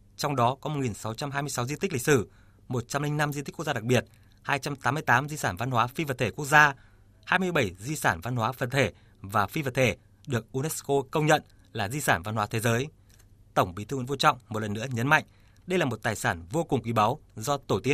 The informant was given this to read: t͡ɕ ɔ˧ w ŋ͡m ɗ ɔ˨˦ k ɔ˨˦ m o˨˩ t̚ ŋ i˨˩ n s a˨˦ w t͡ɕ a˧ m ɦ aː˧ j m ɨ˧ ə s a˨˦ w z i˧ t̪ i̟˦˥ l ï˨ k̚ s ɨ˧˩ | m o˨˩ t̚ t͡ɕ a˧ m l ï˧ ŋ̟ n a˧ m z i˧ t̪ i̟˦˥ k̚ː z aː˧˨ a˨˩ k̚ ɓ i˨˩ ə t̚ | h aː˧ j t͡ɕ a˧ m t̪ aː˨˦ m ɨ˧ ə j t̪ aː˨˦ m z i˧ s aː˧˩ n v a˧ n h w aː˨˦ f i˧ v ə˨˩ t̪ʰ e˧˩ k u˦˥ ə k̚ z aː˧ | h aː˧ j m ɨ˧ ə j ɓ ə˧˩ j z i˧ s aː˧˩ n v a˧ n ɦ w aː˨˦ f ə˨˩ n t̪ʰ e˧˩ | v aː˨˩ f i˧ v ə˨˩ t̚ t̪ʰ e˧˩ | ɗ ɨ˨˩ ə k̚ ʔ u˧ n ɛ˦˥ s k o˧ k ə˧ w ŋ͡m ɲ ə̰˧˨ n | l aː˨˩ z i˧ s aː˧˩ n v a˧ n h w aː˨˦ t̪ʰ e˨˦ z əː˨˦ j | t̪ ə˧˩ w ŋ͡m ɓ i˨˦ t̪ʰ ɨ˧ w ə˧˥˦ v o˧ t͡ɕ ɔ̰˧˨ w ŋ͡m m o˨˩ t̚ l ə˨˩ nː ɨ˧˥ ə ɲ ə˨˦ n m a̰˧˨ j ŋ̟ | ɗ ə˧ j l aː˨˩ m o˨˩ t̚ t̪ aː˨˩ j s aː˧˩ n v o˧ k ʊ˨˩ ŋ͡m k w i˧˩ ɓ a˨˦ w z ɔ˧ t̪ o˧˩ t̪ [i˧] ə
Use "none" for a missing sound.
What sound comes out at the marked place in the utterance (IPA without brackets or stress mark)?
i˦˥